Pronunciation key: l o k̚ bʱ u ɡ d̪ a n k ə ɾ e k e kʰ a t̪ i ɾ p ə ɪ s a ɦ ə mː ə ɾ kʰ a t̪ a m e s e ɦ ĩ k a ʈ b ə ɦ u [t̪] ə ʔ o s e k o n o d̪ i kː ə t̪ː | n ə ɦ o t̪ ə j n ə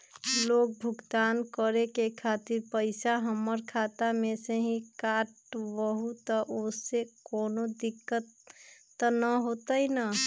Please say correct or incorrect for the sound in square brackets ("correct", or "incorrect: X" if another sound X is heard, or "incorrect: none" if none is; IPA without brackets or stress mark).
correct